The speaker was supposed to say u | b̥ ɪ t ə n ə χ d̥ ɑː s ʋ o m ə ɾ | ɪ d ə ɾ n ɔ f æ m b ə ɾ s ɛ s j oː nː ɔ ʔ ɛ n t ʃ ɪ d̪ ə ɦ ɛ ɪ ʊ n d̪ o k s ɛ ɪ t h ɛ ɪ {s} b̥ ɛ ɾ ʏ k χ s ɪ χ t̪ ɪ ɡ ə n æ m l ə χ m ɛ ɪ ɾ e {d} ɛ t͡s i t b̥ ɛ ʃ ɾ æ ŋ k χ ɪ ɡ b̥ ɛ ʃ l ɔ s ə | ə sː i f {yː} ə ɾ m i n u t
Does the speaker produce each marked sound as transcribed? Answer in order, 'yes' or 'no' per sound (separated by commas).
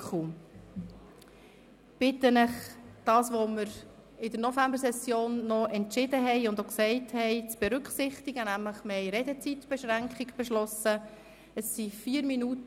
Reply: no, yes, no